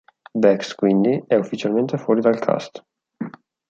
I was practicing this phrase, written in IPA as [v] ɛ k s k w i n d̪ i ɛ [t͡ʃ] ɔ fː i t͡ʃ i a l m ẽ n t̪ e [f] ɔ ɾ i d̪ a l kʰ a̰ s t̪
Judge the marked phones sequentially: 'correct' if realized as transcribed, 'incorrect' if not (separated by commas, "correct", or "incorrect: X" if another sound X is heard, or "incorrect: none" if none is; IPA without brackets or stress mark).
incorrect: b, incorrect: none, correct